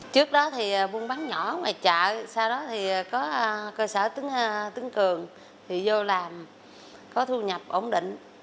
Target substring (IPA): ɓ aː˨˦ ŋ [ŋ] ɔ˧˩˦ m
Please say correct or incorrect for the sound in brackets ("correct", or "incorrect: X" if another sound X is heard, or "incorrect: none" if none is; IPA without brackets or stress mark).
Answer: incorrect: ɲ